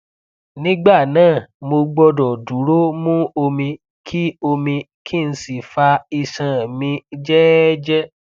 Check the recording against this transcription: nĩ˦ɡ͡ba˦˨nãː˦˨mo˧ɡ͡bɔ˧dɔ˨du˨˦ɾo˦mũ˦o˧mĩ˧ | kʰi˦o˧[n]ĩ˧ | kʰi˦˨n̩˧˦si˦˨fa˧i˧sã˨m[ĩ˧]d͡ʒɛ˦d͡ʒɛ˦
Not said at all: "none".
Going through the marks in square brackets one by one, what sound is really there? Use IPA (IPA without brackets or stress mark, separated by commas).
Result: m, ĩ˧